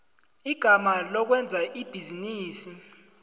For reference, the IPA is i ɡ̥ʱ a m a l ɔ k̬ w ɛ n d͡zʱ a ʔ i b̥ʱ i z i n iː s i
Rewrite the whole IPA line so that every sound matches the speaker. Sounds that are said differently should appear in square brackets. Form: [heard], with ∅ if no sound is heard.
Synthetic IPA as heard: i ɡ̥ʱ a m a l ɔ k̬ w ɛ n d͡zʱ a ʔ i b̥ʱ i z i n iː s i